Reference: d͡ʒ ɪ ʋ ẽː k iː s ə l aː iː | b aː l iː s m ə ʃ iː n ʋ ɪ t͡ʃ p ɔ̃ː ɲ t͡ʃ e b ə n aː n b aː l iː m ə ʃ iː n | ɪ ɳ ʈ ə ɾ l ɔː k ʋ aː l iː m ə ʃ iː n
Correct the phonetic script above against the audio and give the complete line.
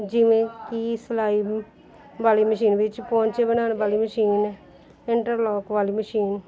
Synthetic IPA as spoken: d͡ʒ ɪ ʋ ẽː k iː s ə l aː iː | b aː l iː m ə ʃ iː n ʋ ɪ t͡ʃ p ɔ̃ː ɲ t͡ʃ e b ə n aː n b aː l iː m ə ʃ iː n | ɪ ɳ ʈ ə ɾ l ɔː k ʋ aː l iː m ə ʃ iː n

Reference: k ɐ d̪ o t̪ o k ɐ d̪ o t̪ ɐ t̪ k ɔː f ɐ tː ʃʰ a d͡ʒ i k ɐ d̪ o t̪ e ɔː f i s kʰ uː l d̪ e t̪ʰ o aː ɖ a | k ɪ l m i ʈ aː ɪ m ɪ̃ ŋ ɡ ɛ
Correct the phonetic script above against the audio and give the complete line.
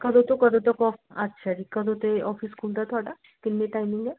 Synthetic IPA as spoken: k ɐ d̪ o t̪ o k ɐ d̪ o t̪ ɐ k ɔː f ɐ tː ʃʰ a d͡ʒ i k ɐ d̪ o t̪ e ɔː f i s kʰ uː l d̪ a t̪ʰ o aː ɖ a | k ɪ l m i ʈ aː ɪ m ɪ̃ ŋ ɡ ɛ

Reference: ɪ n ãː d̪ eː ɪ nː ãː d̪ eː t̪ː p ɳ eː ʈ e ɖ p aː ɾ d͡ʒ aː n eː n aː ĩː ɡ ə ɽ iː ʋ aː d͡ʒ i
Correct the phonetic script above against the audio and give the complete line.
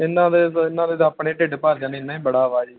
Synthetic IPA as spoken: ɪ n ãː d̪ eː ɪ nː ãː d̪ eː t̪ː p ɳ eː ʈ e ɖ p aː ɾ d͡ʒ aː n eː n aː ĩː b ə ɽ aː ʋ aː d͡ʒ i

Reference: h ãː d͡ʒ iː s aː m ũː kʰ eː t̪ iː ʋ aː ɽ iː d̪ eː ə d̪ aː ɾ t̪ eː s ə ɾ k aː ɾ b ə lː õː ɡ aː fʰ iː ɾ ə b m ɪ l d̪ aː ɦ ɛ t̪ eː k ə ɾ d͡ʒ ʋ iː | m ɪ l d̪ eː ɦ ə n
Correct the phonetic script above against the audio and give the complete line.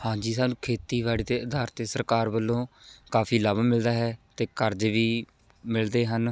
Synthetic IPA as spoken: h ãː d͡ʒ iː s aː n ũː kʰ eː t̪ iː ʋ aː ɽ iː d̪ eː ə d̪ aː ɾ t̪ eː s ə ɾ k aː ɾ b ə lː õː k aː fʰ iː l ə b m ɪ l d̪ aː ɦ ɛː t̪ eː k ə ɾ d͡ʒ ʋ iː | m ɪ l d̪ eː ɦ ə n

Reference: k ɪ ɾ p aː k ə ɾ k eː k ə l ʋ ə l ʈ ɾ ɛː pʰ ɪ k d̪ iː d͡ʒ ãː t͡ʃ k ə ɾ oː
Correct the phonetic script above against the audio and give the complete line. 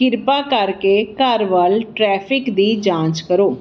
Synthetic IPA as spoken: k ɪ ɾ p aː k ə ɾ k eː k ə ɾ ʋ ə l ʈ ɾ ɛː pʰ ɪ k d̪ iː d͡ʒ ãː t͡ʃ k ə ɾ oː

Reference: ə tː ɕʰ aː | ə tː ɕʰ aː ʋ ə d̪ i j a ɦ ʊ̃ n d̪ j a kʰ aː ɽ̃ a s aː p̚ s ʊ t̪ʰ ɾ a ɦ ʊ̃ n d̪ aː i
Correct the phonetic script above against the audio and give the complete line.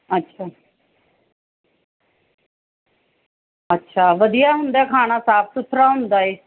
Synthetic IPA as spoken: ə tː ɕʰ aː | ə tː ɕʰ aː ʋ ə d̪ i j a ɦ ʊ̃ n d̪ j a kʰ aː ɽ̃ a s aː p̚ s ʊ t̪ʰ ɾ a ɦ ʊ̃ n d̪ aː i

